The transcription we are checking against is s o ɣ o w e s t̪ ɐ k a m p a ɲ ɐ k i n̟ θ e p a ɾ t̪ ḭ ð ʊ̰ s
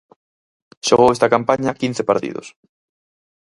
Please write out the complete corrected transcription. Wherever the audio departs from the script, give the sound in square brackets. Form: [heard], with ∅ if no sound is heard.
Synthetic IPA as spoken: [ʃ] o ɣ o w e s t̪ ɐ k a m p a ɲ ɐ k i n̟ θ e p a ɾ t̪ ḭ ð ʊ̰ s